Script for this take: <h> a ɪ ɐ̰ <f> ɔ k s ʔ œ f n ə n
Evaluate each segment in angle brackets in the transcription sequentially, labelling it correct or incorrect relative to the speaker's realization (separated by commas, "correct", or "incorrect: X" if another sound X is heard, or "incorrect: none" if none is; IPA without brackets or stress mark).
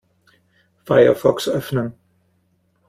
incorrect: f, correct